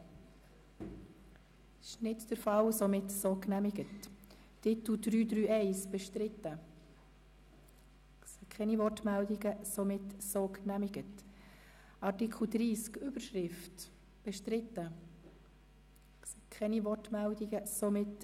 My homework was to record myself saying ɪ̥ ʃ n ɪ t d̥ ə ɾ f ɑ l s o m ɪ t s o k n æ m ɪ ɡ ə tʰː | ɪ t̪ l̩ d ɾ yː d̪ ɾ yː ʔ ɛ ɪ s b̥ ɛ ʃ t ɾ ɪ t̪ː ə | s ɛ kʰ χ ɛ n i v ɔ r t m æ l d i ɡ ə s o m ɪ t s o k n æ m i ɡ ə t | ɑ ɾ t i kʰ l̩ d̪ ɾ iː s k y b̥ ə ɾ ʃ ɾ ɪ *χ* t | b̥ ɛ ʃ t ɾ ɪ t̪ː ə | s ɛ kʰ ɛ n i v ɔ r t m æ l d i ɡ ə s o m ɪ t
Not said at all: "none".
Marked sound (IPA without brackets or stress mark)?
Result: f